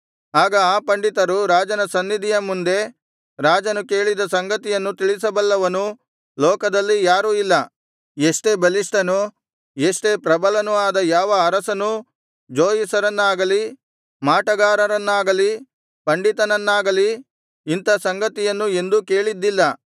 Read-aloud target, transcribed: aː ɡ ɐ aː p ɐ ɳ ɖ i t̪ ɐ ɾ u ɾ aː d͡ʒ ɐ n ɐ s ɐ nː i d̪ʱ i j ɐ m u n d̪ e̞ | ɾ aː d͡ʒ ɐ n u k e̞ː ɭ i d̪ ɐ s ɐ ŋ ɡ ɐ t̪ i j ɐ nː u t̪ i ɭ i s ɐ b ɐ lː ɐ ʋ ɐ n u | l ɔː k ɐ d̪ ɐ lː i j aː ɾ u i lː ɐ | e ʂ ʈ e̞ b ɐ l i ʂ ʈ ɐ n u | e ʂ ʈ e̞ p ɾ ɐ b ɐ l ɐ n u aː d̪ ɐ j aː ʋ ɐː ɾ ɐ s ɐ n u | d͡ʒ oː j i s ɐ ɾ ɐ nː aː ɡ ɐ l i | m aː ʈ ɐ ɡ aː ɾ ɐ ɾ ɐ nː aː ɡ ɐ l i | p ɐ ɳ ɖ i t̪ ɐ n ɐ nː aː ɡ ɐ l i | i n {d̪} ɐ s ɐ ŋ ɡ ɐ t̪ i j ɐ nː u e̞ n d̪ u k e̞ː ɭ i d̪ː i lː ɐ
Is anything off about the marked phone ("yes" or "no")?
yes